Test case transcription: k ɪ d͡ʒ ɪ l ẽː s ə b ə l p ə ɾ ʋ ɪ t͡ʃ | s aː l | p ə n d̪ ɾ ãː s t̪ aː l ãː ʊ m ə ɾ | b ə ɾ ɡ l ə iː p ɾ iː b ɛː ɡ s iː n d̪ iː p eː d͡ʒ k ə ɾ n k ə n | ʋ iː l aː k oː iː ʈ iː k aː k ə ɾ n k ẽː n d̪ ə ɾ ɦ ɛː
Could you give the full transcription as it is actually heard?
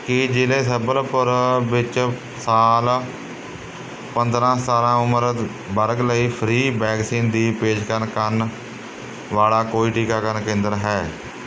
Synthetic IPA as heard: k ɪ d͡ʒ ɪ l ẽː s ə b ə l p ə ɾ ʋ ɪ t͡ʃ | s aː l | p ə n d̪ ɾ ãː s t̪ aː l ãː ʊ m ə ɾ | b ə ɾ ɡ l ə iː pʰ ɾ iː b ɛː ɡ s iː n d̪ iː p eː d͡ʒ k ə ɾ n k ə n | ʋ aː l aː k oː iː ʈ iː k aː k ə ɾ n k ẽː n d̪ ə ɾ ɦ ɛː